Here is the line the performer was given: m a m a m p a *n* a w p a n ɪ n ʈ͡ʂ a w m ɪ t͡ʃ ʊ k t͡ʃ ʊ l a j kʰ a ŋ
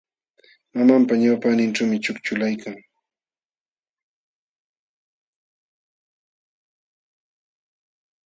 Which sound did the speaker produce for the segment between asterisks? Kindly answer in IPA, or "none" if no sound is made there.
ɲ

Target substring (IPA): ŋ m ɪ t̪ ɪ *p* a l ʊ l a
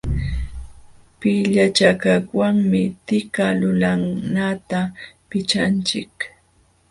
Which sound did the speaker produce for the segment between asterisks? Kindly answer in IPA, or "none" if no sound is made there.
k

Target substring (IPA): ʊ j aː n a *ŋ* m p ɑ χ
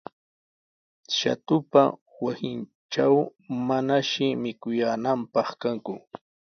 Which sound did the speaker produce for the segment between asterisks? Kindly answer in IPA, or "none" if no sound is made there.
none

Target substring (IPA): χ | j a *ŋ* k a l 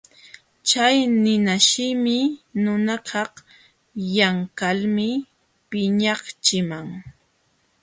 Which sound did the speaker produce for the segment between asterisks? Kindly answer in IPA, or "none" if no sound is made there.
ŋ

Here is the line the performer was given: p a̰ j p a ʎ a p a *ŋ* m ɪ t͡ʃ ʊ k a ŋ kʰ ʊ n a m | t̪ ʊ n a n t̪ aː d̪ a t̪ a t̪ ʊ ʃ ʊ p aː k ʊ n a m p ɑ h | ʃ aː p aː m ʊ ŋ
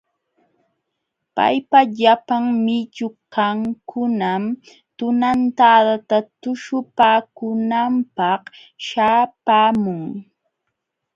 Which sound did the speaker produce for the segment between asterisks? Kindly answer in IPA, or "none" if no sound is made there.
ŋ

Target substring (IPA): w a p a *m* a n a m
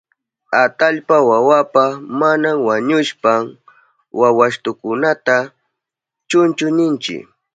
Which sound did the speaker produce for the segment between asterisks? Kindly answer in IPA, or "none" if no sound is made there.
m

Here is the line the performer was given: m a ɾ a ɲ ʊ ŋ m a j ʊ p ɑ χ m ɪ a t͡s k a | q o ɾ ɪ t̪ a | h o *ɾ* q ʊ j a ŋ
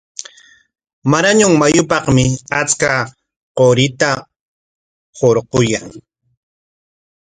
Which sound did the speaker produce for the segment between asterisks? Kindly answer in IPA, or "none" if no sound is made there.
ɾ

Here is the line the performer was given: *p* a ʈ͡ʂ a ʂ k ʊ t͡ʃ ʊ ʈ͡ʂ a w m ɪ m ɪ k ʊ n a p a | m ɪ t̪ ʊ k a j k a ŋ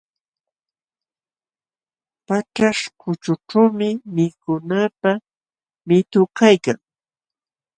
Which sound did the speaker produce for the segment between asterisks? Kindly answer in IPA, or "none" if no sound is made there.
p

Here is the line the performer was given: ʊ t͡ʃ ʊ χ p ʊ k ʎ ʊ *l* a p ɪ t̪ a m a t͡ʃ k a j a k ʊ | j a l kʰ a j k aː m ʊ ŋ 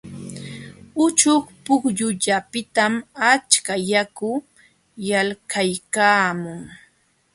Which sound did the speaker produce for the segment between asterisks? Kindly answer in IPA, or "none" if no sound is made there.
ʎ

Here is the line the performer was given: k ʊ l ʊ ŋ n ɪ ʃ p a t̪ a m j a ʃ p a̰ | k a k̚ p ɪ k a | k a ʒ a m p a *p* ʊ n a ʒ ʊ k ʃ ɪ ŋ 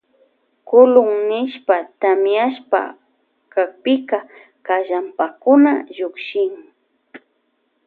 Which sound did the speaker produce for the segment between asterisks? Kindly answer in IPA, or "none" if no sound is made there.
k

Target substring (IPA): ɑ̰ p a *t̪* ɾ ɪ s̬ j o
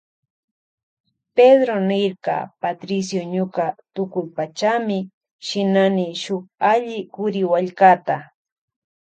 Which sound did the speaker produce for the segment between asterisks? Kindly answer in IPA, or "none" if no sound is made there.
t̪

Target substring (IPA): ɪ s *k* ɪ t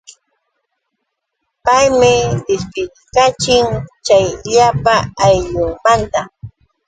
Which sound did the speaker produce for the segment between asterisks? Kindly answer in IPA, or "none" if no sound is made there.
p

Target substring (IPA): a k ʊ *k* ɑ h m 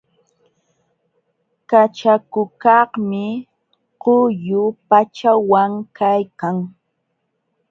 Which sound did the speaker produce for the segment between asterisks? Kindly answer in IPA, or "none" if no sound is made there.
k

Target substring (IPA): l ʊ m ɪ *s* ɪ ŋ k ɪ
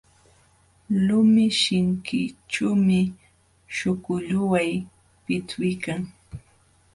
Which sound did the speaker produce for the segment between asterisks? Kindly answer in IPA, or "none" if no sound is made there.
ʃ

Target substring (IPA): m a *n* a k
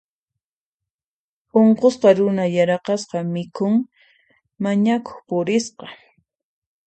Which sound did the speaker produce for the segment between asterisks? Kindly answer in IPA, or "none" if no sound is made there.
ɲ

